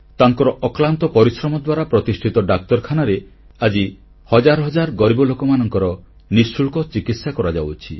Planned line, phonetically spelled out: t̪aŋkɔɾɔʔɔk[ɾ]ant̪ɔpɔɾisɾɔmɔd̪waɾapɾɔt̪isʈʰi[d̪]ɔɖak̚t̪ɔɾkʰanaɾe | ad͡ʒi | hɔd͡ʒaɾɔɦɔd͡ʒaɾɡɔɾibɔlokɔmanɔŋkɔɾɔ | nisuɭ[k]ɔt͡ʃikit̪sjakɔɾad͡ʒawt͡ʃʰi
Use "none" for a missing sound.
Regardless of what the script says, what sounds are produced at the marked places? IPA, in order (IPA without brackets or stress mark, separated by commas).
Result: l, t̪, k